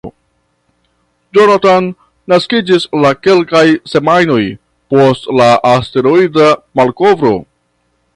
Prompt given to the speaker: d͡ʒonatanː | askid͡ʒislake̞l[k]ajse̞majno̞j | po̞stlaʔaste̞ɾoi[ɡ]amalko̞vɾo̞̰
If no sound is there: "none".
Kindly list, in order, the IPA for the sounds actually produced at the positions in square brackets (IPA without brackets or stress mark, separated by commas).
k, d